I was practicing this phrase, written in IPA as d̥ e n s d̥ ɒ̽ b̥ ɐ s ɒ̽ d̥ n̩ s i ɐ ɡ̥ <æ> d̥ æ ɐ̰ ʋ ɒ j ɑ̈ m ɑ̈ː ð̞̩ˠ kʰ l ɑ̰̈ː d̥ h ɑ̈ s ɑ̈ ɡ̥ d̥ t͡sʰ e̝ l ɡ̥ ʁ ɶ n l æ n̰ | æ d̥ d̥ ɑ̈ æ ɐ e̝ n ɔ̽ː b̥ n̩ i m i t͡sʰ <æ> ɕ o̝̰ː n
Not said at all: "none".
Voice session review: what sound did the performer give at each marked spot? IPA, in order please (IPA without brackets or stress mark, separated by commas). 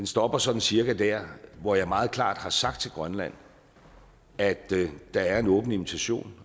æ, æ